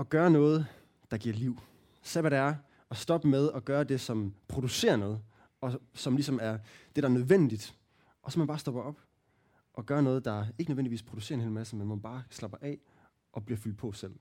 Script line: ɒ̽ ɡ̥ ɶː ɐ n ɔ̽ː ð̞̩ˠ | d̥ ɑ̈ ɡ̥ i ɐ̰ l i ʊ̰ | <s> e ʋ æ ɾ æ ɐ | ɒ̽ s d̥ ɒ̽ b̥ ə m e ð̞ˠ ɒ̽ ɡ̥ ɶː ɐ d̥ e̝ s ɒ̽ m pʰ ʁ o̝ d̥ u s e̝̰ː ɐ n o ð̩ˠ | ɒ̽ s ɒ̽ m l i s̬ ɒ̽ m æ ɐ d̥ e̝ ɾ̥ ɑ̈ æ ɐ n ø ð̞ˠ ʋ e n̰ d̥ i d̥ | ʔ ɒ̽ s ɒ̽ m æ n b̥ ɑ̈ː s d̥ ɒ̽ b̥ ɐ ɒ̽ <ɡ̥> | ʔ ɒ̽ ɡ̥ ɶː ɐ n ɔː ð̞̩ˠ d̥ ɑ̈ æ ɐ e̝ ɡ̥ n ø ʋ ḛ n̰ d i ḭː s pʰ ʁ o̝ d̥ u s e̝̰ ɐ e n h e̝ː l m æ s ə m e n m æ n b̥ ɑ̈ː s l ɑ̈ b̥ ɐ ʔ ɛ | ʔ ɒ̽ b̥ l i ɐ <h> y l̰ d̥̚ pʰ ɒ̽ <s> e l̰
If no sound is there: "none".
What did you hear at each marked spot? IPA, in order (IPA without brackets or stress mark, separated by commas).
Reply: s, b̥, f, s